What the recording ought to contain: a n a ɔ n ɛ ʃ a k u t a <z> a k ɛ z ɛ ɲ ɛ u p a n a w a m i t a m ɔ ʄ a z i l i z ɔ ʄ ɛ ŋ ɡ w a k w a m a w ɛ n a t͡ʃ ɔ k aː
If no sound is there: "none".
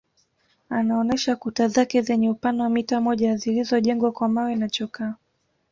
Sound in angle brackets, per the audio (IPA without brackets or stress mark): z